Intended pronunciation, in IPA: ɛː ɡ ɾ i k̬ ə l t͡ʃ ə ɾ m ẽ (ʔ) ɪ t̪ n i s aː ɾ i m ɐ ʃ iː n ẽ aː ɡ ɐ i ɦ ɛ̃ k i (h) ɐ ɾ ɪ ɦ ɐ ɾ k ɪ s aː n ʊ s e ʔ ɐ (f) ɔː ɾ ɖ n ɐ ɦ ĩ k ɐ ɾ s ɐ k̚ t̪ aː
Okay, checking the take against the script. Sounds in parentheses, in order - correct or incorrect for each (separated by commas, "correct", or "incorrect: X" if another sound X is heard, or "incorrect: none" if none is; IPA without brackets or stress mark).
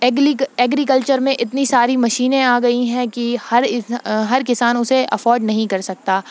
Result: correct, correct, correct